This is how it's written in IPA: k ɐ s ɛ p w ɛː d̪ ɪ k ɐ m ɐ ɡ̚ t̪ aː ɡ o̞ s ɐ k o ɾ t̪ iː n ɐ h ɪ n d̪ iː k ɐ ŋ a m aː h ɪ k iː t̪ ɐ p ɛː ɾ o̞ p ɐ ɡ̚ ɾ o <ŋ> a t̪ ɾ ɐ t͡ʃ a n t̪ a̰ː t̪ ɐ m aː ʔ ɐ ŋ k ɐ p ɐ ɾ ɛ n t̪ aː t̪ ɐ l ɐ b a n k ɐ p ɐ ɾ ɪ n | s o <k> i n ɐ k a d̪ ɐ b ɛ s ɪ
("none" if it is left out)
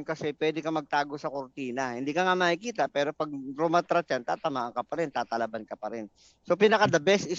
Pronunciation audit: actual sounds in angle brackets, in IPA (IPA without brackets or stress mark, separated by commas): m, p